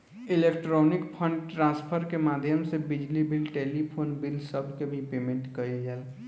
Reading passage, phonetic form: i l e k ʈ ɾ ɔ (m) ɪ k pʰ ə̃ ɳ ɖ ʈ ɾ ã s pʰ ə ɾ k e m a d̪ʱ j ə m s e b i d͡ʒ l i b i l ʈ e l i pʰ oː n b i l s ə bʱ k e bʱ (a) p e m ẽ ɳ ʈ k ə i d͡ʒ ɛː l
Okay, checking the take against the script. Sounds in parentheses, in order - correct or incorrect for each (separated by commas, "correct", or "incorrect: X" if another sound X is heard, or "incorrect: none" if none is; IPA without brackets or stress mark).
incorrect: n, incorrect: i